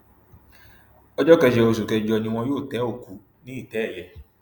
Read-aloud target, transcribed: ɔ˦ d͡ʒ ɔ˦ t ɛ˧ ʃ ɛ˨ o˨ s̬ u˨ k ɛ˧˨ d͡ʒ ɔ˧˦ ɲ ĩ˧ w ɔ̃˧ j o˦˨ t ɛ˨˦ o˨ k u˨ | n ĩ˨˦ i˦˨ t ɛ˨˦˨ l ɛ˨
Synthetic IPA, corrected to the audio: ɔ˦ d͡ʒ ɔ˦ k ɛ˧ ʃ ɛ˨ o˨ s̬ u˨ k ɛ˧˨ d͡ʒ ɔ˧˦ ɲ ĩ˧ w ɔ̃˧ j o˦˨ t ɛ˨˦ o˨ k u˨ | n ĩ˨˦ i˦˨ t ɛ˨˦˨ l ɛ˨